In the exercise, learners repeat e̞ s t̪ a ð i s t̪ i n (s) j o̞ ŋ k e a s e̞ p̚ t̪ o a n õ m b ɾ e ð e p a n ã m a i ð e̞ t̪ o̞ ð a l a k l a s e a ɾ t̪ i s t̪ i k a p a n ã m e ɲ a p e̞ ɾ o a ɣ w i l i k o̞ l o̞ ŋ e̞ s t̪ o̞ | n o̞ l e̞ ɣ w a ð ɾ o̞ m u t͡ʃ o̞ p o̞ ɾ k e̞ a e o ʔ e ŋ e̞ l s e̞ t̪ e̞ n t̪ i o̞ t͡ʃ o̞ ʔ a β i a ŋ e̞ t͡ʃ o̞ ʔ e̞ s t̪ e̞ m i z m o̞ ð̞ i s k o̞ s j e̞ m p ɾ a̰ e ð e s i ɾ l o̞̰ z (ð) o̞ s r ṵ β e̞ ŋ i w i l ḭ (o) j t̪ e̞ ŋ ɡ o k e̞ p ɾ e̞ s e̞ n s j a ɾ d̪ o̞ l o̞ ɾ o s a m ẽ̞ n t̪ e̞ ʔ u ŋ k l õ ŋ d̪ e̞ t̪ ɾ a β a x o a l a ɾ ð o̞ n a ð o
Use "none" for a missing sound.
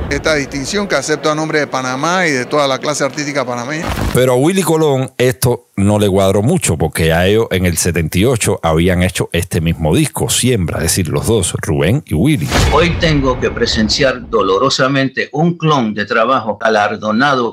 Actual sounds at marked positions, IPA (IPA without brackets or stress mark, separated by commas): s, ð, o